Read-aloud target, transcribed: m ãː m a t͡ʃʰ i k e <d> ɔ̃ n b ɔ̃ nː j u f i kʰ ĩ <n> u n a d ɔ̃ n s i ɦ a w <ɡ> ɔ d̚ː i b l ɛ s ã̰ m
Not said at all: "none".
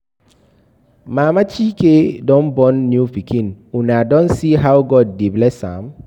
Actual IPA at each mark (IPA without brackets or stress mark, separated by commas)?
d, n, ɡ